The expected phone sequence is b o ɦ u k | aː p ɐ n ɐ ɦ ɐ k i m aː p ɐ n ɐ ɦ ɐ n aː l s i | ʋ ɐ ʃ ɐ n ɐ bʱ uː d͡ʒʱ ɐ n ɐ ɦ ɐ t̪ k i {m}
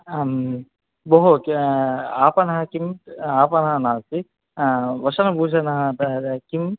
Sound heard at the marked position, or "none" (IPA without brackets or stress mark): m